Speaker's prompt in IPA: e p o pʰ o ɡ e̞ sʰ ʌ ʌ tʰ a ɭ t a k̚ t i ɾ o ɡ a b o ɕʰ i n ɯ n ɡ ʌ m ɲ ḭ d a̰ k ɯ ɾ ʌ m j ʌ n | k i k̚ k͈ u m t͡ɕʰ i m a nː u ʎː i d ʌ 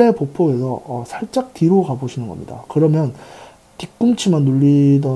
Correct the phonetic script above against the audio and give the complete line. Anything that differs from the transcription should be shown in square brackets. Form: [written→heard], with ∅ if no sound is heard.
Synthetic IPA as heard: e p o pʰ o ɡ e̞ sʰ ʌ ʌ [tʰ→sʰ] a ɭ [t→t͡ɕ͈] a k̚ t i ɾ o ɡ a b o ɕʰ i n ɯ n ɡ ʌ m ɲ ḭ d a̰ k ɯ ɾ ʌ m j ʌ n | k i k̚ k͈ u m t͡ɕʰ i m a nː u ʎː i d ʌ